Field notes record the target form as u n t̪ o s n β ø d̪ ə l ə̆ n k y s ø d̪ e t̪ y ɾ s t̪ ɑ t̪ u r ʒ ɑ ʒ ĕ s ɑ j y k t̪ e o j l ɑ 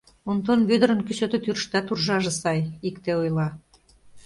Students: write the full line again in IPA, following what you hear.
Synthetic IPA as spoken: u n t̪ o n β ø d̪ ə ɾ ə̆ n k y s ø t̪ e t̪ y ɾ ʃ t̪ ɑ t̪ u r ʒ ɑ ʒ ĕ s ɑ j i k t̪ e o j l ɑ